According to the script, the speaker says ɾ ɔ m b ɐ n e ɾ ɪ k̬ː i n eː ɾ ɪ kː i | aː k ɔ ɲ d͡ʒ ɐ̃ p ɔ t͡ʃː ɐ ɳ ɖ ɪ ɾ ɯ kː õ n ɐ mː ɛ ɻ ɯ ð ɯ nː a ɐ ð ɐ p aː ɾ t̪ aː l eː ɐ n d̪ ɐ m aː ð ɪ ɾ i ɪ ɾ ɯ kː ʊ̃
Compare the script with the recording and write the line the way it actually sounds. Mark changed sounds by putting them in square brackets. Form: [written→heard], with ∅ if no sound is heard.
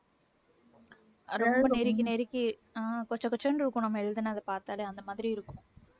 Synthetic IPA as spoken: ɾ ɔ m b ɐ n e ɾ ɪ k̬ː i n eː ɾ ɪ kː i | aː k ɔ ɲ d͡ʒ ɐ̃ [p→k] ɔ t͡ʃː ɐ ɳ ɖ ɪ ɾ ɯ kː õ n ɐ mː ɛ ɻ ɯ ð ɯ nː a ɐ ð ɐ p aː ɾ t̪ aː l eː ɐ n d̪ ɐ m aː ð ɪ ɾ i ɪ ɾ ɯ kː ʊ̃